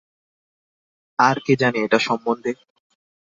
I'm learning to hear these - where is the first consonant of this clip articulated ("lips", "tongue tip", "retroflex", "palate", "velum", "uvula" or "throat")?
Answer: tongue tip